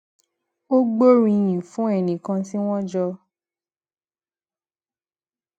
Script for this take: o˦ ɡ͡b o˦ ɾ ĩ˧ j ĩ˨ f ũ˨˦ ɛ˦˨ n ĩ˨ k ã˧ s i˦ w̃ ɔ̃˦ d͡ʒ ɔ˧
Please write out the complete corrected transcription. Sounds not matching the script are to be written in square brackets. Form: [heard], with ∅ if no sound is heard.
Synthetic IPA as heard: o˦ ɡ͡b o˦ ɾ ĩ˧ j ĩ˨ f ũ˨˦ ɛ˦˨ n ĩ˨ k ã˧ s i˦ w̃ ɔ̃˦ d͡ʒ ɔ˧